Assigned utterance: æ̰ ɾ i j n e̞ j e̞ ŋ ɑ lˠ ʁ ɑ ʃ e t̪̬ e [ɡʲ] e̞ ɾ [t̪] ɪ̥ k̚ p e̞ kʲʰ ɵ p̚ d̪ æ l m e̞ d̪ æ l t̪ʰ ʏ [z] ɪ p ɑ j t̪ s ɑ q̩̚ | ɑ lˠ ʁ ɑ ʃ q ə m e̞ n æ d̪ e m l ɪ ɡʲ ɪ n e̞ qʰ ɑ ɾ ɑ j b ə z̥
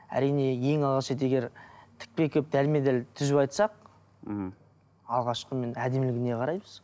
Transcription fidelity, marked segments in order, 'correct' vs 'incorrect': correct, incorrect, correct

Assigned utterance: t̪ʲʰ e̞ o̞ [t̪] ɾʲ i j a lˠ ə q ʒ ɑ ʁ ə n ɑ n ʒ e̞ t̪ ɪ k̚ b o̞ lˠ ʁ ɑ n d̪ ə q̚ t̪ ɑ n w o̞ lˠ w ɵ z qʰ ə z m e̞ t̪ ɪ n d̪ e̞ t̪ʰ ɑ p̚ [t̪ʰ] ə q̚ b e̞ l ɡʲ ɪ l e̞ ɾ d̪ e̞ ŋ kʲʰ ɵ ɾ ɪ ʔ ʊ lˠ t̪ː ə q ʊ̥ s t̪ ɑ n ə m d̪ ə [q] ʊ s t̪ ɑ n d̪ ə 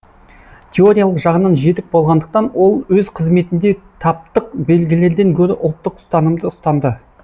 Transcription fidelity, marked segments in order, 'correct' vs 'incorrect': incorrect, incorrect, incorrect

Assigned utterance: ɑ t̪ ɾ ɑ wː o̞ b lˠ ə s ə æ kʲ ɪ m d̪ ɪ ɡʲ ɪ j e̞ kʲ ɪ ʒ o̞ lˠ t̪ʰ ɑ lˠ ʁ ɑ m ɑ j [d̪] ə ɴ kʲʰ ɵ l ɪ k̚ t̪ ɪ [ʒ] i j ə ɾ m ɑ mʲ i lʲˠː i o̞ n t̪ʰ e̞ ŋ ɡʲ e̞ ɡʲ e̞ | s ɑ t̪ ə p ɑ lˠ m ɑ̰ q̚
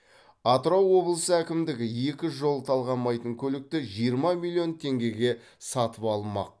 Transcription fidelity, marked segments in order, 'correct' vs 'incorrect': incorrect, correct

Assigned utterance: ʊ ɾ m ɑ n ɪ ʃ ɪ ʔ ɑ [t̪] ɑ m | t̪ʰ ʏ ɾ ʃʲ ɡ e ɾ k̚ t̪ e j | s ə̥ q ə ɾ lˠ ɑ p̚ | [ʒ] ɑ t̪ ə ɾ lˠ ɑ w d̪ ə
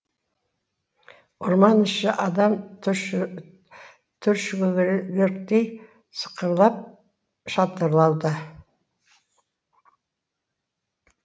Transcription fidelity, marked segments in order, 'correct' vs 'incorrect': incorrect, incorrect

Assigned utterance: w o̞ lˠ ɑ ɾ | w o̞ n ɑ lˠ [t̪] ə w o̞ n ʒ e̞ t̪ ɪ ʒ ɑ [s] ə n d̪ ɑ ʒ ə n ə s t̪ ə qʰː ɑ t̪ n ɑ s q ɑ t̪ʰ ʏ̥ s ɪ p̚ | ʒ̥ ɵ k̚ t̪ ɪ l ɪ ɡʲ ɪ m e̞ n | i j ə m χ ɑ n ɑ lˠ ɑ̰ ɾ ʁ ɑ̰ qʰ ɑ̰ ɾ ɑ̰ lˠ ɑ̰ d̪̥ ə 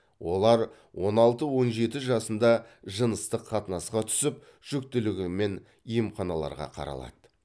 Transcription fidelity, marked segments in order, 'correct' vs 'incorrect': correct, correct

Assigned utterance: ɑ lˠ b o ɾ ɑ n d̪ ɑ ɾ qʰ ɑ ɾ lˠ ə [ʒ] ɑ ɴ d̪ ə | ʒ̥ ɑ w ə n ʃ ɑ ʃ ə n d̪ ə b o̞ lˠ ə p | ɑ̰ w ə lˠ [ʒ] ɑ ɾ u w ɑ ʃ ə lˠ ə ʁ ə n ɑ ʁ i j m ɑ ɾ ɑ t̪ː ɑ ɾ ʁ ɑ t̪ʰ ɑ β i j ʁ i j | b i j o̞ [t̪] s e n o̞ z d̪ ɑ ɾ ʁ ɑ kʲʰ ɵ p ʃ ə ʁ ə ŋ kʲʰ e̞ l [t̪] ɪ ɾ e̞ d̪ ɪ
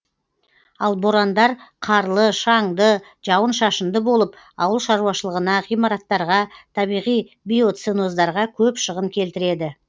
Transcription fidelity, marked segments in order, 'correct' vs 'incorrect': incorrect, incorrect, correct, correct

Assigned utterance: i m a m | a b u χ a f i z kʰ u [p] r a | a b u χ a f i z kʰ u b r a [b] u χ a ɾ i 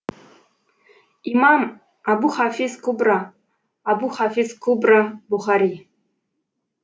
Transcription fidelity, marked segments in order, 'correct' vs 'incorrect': incorrect, correct

